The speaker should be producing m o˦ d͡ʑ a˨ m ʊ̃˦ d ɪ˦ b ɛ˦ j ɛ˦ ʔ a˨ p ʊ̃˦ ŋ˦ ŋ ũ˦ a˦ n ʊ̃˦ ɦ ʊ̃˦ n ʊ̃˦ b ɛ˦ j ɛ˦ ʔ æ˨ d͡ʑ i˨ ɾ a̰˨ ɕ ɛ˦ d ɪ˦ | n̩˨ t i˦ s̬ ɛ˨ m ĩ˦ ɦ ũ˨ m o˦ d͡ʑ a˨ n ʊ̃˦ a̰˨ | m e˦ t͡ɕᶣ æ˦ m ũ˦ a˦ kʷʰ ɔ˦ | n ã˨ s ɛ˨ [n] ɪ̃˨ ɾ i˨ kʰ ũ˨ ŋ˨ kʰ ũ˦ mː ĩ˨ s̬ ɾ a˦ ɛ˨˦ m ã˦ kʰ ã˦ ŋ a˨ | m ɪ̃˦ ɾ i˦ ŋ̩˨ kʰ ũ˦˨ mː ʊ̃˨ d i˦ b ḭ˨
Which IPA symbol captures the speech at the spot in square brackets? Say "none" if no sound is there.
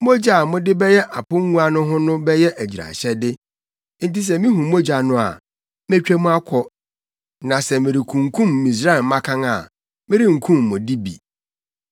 m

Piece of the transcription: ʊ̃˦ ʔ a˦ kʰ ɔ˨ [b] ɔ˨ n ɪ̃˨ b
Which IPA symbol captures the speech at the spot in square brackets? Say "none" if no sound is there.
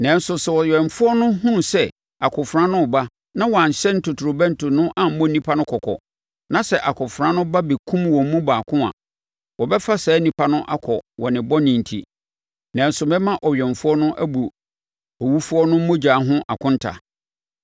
w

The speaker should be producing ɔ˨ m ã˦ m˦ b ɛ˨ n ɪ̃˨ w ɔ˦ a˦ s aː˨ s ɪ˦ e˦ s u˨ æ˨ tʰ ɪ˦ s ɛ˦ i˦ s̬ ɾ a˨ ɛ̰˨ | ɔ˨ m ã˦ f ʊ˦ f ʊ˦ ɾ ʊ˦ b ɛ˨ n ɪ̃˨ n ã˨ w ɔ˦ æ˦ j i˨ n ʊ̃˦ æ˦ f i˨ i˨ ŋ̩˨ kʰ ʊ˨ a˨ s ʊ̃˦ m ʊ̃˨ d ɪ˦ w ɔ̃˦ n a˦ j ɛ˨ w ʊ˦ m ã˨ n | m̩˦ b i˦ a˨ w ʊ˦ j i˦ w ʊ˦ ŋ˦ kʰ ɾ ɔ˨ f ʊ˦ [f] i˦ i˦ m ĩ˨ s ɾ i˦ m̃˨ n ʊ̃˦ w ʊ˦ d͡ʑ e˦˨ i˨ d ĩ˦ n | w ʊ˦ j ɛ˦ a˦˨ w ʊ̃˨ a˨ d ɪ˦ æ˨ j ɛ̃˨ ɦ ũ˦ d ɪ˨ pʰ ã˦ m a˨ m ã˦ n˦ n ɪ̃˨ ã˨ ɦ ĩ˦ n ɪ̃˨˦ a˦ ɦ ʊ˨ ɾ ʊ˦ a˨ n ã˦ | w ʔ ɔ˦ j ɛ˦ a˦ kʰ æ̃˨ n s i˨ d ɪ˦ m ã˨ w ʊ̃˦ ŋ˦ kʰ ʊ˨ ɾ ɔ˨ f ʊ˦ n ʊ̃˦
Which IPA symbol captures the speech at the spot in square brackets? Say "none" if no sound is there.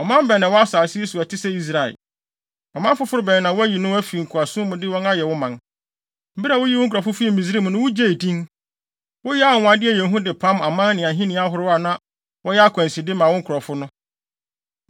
f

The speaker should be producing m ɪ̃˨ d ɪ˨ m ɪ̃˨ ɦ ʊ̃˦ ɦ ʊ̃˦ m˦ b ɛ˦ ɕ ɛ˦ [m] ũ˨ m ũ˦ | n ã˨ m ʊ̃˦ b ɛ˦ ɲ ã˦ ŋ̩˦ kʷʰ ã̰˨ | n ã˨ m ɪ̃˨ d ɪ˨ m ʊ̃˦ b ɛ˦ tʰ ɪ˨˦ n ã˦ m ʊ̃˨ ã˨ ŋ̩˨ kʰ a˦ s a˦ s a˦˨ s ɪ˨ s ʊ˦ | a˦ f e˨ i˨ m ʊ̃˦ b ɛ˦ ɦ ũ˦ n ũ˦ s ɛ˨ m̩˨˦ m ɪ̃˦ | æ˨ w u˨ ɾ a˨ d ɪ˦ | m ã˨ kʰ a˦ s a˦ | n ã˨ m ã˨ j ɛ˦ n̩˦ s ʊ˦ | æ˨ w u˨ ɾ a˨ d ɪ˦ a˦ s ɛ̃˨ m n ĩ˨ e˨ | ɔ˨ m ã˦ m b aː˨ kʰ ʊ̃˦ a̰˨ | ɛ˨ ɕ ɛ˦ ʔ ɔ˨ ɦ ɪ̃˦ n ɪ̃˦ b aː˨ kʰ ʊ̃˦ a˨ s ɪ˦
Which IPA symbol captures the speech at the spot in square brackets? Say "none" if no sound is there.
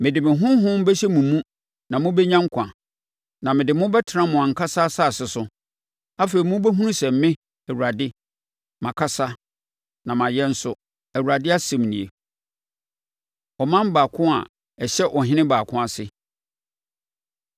m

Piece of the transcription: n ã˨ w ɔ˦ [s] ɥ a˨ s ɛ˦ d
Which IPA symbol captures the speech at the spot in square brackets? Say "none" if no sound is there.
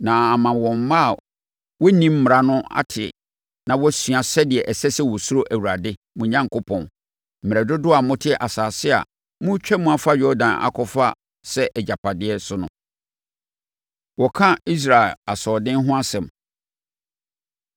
s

